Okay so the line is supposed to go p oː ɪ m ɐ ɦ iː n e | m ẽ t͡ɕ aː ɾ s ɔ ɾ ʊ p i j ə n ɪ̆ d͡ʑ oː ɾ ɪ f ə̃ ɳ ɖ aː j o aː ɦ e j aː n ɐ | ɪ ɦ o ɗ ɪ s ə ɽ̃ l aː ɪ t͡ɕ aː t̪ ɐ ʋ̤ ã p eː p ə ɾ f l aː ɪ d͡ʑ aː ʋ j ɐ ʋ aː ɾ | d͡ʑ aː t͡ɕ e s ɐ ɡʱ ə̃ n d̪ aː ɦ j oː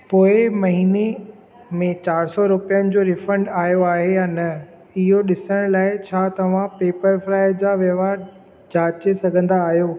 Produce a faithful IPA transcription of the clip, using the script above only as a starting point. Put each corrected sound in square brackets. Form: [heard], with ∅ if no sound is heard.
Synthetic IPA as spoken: p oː ɪ m ɐ ɦ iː n e | m ẽ t͡ɕ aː ɾ s ɔ ɾ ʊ p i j ə n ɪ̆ d͡ʑ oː ɾ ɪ f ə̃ ɳ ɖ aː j o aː ɦ e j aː n ɐ | ɪ ɦ o ɗ ɪ s ə ɽ̃ l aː ɪ [t͡ɕʰ] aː t̪ ɐ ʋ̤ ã p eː p ə ɾ f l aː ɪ d͡ʑ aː ʋ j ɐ ʋ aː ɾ | d͡ʑ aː t͡ɕ e s ɐ ɡʱ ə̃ n d̪ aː ɦ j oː